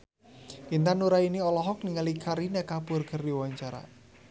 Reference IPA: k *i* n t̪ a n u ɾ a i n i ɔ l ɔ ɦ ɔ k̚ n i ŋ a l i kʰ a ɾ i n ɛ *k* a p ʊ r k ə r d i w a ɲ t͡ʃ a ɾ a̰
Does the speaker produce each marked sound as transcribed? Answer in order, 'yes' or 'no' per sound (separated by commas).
yes, yes